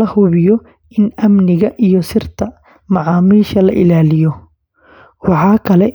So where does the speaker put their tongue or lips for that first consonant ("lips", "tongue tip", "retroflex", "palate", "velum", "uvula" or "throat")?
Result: throat